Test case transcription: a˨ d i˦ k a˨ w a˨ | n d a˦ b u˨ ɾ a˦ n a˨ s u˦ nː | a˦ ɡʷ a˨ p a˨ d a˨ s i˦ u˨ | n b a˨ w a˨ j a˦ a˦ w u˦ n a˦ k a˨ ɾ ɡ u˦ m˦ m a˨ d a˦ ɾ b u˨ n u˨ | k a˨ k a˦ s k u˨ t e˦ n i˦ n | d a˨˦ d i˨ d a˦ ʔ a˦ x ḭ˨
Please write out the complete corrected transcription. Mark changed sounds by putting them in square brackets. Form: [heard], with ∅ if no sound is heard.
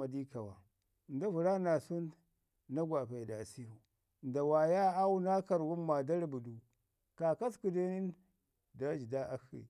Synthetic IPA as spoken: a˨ d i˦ k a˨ w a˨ | n d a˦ [v] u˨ ɾ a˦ n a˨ s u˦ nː | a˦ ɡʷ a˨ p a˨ d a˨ s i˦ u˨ | n [d] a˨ w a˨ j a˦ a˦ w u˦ n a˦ k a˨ ɾ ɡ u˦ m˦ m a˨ d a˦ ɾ b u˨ [d] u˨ | k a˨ k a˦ s k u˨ [d] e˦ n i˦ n | d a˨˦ [d͡ʒ] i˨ d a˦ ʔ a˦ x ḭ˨